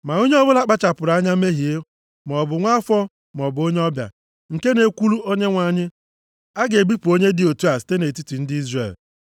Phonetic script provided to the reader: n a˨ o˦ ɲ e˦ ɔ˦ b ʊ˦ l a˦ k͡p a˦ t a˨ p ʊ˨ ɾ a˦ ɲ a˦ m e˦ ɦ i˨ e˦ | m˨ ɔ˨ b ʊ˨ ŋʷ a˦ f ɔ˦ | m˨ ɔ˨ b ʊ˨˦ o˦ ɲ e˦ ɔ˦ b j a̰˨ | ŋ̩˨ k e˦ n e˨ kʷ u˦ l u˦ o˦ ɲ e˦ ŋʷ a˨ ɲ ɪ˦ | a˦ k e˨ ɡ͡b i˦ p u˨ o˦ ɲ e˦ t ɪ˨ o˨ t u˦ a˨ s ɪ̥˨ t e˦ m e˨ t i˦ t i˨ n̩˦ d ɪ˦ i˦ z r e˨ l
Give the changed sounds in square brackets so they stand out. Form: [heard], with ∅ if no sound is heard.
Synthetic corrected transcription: [m] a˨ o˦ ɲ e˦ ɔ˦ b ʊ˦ l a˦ k͡p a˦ [t͡ʃ] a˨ p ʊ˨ ɾ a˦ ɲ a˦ m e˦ ɦ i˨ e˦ | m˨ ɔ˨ b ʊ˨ ŋʷ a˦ f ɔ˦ | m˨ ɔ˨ b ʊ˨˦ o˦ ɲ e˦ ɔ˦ b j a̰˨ | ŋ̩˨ k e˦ n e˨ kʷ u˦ l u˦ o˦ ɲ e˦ ŋʷ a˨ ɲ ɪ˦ | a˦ [ɡ] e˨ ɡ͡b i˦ p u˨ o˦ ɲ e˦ [d] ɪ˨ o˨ t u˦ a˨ s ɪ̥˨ t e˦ [n] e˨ t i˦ t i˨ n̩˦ d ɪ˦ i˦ z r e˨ l